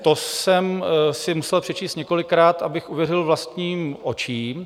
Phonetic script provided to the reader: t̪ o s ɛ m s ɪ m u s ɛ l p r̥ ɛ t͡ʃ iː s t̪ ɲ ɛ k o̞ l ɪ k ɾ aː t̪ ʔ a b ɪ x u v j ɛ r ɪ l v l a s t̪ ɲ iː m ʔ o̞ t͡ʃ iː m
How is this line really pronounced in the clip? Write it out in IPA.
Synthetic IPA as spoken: t̪ o s ɛ m s ɪ m u s ɛ l p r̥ ɛ t͡ʃ iː s t̪ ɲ ɛ k o̞ l ɪ k ɾ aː t̪ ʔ a b ɪ x u v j ɛ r ɪ l v l a s t̪ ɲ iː m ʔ o̞ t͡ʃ iː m